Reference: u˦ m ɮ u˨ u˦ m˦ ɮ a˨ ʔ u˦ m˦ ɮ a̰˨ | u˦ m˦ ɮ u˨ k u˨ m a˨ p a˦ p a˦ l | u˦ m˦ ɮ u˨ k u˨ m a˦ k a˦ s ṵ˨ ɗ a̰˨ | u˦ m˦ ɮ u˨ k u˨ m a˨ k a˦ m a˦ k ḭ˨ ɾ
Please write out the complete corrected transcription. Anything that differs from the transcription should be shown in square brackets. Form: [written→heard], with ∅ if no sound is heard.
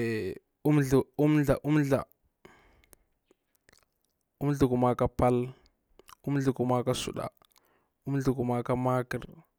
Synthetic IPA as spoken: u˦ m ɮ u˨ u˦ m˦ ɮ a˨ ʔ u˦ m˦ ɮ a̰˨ | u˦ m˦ ɮ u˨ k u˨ m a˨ [p→k] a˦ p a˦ l | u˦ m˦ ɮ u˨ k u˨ m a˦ k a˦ s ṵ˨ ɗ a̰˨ | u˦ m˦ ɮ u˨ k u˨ m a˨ k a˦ m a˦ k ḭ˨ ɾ